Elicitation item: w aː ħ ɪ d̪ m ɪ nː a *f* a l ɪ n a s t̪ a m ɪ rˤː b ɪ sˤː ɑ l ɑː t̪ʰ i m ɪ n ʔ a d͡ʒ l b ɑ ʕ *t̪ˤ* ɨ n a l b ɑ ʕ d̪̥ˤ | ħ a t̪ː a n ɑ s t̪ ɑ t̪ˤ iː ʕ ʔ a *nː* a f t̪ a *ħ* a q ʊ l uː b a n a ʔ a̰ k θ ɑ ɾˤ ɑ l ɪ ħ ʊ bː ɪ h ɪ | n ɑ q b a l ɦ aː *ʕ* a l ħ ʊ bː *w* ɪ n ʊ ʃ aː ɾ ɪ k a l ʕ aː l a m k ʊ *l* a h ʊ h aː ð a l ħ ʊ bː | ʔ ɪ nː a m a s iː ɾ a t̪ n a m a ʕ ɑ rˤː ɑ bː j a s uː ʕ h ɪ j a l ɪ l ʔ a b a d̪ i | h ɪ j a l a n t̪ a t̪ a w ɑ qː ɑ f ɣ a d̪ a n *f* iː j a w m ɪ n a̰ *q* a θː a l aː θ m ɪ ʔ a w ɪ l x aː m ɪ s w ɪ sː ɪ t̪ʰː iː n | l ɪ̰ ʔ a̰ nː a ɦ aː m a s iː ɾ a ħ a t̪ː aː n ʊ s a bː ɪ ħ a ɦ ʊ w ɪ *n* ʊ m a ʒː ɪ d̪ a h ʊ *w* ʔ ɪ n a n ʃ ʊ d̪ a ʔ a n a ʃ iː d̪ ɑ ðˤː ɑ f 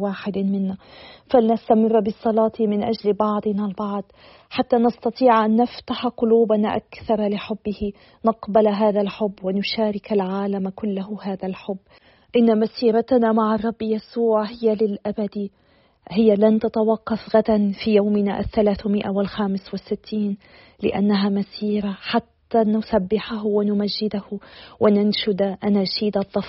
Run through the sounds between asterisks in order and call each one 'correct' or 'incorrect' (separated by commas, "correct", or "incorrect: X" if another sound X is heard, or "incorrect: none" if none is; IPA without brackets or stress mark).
correct, incorrect: d̪ˤ, correct, correct, incorrect: ð, correct, incorrect: lː, correct, incorrect: ʔ, correct, correct